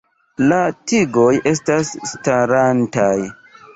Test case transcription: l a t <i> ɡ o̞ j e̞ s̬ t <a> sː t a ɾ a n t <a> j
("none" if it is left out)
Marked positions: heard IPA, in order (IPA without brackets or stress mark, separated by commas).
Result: i, a, a